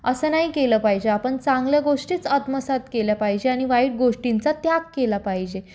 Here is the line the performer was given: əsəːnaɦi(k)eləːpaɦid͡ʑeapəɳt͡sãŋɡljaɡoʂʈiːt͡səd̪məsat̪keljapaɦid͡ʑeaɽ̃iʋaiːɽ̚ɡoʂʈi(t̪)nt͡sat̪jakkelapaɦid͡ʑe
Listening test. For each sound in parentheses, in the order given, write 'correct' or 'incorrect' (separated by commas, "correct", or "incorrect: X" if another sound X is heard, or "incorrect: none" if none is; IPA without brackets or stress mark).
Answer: correct, incorrect: none